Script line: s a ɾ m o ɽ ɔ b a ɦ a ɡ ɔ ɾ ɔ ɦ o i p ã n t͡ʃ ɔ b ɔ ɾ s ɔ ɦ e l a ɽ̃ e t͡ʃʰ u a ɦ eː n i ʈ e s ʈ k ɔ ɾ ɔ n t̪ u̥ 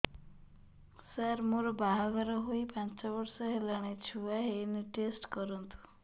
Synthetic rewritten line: s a ɾ m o ɾ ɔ b a ɦ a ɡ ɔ ɾ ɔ ɦ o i p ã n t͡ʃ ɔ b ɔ ɾ s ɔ ɦ e l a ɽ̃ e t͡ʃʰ u a ɦ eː n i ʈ e s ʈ k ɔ ɾ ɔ n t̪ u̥